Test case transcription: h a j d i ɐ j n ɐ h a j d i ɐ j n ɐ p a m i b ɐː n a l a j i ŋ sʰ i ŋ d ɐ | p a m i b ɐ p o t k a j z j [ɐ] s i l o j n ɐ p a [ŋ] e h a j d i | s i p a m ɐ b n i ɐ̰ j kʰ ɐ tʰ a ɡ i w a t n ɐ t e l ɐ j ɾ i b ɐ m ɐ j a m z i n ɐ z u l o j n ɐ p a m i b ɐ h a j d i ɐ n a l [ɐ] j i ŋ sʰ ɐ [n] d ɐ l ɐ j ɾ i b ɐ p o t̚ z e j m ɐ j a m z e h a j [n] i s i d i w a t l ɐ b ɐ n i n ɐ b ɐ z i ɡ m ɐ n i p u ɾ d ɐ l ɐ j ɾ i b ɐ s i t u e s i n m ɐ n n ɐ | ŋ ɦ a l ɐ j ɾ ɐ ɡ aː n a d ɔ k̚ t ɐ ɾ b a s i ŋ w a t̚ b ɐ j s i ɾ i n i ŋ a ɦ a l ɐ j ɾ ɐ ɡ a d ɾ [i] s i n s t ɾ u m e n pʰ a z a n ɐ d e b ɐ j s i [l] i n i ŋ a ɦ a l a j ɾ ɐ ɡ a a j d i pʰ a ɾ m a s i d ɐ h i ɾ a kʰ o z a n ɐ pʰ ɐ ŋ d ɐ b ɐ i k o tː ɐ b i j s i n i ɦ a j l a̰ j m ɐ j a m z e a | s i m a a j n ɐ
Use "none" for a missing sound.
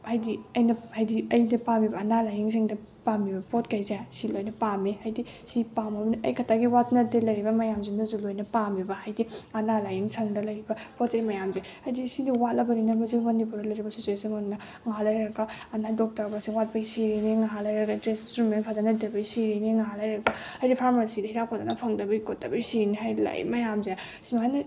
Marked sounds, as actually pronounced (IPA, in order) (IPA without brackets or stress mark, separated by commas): a, m, a, ŋ, d, e, ɾ